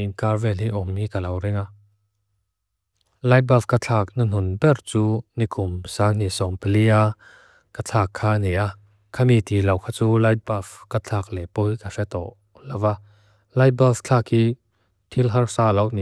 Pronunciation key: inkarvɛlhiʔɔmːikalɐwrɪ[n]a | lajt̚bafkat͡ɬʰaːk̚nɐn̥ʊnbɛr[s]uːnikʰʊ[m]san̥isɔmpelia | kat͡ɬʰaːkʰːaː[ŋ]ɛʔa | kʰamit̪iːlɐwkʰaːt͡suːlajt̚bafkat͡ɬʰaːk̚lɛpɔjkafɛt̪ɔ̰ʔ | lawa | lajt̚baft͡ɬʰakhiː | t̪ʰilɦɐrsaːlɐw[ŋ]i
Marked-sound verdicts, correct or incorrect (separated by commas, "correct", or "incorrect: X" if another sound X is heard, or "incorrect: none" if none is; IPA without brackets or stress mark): incorrect: ŋ, incorrect: t͡s, correct, incorrect: n, incorrect: n